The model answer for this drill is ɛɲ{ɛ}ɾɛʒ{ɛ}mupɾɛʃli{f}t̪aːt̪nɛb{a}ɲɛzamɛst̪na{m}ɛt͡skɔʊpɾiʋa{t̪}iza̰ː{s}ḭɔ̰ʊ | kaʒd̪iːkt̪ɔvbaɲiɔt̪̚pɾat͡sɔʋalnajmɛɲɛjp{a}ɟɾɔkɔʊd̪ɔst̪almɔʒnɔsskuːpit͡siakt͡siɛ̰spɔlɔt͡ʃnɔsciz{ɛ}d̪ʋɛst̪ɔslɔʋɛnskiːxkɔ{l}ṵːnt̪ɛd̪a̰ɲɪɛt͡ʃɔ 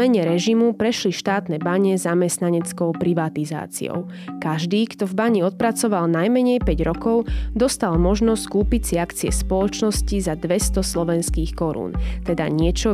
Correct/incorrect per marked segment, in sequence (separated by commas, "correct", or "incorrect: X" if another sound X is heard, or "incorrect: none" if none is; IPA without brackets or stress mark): correct, incorrect: i, incorrect: ʃ, correct, incorrect: ɲ, correct, incorrect: t͡s, incorrect: ɛ, incorrect: a, incorrect: ɾ